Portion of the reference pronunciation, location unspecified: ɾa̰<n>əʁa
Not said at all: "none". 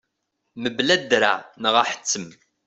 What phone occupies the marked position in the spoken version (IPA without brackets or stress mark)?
n